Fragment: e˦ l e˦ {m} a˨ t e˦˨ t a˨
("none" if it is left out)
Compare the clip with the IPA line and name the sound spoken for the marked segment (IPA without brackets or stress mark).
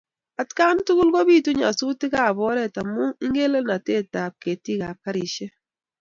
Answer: n